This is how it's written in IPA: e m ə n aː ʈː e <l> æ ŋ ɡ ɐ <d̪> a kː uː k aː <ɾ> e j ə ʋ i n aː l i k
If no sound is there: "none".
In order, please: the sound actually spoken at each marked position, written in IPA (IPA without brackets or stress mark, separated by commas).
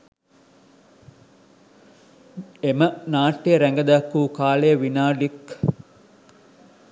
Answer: ɾ, d̪, l